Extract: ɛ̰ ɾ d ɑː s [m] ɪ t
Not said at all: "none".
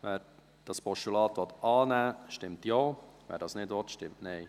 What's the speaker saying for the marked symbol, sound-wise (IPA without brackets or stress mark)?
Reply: n